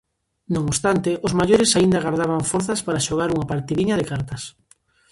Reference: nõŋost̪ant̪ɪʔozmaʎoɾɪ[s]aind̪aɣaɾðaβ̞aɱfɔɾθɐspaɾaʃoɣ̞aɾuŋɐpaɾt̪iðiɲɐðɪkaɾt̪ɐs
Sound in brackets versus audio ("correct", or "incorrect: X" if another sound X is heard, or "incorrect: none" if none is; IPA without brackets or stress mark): correct